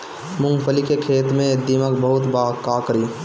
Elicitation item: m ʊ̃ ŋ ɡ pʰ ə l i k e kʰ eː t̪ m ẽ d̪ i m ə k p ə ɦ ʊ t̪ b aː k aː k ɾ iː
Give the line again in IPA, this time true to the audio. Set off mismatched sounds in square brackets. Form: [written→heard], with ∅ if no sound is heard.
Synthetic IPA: m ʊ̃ ŋ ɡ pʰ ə l i k e kʰ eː t̪ m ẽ d̪ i m ə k [p→b] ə ɦ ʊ t̪ b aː k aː k ɾ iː